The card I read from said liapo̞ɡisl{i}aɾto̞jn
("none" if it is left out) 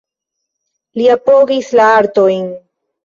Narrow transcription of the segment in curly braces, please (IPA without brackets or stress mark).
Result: a